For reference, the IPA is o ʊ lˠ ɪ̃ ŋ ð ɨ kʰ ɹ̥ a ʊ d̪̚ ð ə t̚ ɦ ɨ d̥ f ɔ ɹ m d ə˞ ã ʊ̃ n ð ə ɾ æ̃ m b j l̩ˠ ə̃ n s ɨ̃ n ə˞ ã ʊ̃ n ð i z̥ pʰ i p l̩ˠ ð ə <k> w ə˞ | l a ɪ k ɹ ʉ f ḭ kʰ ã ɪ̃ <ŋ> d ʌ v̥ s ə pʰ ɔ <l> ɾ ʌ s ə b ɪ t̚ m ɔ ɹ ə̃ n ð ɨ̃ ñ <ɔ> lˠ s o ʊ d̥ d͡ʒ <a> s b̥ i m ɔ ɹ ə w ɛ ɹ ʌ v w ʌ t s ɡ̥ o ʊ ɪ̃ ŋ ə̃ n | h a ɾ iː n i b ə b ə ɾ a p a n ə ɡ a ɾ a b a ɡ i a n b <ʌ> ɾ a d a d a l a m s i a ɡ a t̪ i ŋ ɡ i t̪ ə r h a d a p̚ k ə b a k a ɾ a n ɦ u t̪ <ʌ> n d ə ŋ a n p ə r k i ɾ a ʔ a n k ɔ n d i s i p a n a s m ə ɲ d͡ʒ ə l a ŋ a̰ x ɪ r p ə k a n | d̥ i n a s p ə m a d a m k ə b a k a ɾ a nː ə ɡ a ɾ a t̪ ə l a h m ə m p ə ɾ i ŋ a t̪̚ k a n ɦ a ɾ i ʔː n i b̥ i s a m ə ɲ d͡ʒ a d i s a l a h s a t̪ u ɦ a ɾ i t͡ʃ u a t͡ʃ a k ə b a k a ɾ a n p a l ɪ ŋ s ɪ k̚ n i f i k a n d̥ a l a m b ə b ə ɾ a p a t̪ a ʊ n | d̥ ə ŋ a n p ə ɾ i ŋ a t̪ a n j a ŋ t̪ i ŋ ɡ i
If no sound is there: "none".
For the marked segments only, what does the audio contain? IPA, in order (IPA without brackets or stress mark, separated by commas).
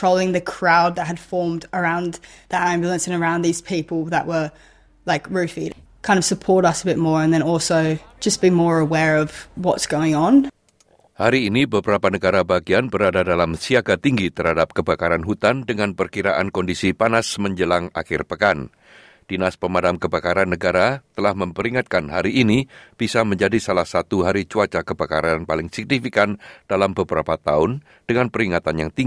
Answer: ʔ, n, ɹ, ɔ, ʌ, ə, a